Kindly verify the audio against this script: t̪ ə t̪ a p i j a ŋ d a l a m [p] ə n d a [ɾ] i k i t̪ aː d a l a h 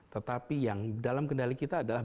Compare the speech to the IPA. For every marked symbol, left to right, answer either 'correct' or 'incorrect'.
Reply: incorrect: k, incorrect: l

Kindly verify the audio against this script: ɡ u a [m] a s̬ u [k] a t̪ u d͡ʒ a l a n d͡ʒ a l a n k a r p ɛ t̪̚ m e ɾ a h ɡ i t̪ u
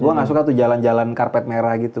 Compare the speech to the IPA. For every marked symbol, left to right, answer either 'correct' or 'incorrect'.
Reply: incorrect: ŋ, correct

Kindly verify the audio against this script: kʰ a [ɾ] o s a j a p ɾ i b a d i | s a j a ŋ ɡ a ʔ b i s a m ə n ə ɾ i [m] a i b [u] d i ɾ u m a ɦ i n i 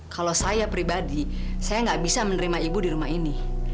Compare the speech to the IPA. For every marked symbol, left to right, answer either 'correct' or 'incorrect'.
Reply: incorrect: l, correct, correct

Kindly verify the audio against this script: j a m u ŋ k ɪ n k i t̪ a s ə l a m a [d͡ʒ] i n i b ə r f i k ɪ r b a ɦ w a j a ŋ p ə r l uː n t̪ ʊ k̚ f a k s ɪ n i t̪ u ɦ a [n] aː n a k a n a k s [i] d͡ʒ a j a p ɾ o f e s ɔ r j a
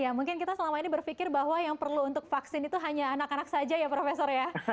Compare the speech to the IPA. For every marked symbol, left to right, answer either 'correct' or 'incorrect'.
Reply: incorrect: none, incorrect: ɲ, incorrect: a

